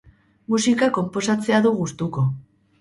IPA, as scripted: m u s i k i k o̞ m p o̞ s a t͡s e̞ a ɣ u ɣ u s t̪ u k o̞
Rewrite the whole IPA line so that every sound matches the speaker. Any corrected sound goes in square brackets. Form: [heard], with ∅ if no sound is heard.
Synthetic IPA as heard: m u s i k [a] k o̞ m p o̞ s a t͡s e̞ a [ð] u ɣ u s t̪ u k o̞

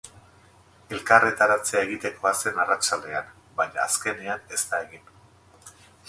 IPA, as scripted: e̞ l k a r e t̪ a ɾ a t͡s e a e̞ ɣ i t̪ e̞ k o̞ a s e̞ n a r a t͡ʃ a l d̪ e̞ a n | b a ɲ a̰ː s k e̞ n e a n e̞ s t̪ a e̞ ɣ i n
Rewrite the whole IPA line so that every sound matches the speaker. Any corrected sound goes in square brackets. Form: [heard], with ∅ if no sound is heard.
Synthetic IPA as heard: e̞ l k a r e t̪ a ɾ a t͡s e a e̞ ɣ i t̪ e̞ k o̞ a s e̞ n a r a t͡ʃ a l d̪ e̞ a n | b a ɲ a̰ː s k e̞ n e a n e̞ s t̪ a e̞ ɣ i n

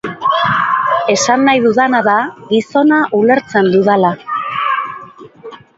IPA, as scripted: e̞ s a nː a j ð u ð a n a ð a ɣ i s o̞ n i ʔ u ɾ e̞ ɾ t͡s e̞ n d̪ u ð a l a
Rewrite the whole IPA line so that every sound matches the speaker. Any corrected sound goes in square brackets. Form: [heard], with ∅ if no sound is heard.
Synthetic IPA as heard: e̞ s a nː a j ð u ð a n a ð a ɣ i s o̞ n [a] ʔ u [l] e̞ ɾ t͡s e̞ n d̪ u ð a l a

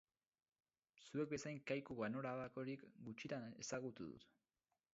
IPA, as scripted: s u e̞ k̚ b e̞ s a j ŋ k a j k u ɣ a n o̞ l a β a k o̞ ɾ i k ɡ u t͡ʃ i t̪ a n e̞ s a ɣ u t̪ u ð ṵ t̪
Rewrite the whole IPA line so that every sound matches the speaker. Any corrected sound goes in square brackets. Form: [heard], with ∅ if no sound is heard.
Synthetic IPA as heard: s u e̞ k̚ b e̞ s a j ŋ k a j k u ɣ a n o̞ [ɾ] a β a k o̞ ɾ i k ɡ u t͡ʃ i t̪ a n e̞ s a ɣ u t̪ u ð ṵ t̪

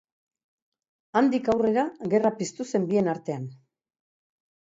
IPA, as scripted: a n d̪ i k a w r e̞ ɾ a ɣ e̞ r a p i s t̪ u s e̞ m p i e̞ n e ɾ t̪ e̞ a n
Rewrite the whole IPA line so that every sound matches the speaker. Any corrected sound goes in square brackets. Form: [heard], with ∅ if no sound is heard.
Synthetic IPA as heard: a n d̪ i k a w r e̞ ɾ a ɣ e̞ r a p i s t̪ u s e̞ m [b] i e̞ n [a] ɾ t̪ e̞ a n

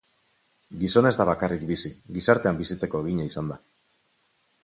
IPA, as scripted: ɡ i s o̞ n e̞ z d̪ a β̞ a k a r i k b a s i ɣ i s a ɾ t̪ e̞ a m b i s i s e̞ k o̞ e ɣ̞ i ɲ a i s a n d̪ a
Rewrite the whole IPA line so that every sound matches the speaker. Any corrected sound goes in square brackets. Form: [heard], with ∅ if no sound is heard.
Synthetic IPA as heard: ɡ i s o̞ n e̞ z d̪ a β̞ a k a r i k b [i] s i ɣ i s a ɾ t̪ e̞ a m b i s i [t͡s] e̞ k o̞ e ɣ̞ i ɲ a i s a n d̪ a

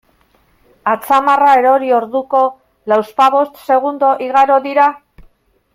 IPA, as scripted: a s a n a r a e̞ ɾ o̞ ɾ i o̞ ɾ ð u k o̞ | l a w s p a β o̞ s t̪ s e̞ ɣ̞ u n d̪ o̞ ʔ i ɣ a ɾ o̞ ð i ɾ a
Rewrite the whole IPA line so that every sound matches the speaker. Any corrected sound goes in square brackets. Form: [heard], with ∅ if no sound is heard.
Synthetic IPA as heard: a [t͡s] a [m] a r a e̞ ɾ o̞ ɾ i o̞ ɾ ð u k o̞ | l a w s p a β o̞ s t̪ s e̞ ɣ̞ u n d̪ o̞ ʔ i ɣ a ɾ o̞ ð i ɾ a

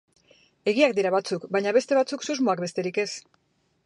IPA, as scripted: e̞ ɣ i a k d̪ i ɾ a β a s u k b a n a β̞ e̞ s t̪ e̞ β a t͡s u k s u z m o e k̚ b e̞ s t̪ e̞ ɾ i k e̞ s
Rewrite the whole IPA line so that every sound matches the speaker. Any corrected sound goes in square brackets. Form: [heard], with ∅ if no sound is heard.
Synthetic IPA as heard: e̞ ɣ i a k d̪ i ɾ a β a [t͡s] u k b a [ɲ] a β̞ e̞ s t̪ e̞ β a t͡s u k s u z m o [a] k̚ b e̞ s t̪ e̞ ɾ i k e̞ s

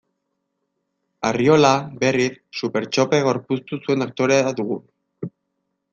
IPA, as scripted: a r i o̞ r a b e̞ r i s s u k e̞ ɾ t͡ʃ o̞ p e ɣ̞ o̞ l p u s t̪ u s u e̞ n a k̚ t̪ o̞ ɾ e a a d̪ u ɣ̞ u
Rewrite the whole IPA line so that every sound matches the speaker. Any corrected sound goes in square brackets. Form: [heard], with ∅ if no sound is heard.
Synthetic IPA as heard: a r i o̞ [l] a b e̞ r i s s u [p] e̞ ɾ t͡ʃ o̞ p e ɣ̞ o̞ [ɾ] p u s t̪ u s u e̞ n a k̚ t̪ o̞ ɾ e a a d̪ u ɣ̞ u

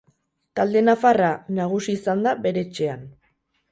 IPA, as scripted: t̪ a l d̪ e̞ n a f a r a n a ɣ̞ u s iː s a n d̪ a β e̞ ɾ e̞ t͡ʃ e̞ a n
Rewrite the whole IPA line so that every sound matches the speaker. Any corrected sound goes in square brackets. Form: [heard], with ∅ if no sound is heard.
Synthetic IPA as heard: t̪ a l d̪ e̞ n a f a r a n a ɣ̞ u s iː s a n d̪ a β e̞ ɾ e̞ t͡ʃ e̞ a n

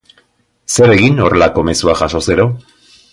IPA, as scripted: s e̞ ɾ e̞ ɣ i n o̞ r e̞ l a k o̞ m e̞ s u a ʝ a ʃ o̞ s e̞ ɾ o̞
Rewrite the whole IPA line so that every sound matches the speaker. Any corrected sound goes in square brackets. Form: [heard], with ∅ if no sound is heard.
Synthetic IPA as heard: s e̞ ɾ e̞ ɣ i n o̞ r e̞ l a k o̞ m e̞ s u a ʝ a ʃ o̞ s e̞ ɾ o̞

